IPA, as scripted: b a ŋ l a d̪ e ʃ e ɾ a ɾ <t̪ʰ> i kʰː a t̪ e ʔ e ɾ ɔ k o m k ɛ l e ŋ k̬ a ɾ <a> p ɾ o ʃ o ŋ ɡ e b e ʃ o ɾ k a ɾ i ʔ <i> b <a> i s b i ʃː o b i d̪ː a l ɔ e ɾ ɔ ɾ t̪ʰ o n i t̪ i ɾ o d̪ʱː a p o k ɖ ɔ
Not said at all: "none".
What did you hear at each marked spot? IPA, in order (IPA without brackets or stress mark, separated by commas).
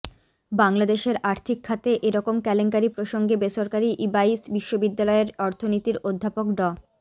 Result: t̪ʰ, i, i, a